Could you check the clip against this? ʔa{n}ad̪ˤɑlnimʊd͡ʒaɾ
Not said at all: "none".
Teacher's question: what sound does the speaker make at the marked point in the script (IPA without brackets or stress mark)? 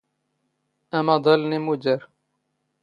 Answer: m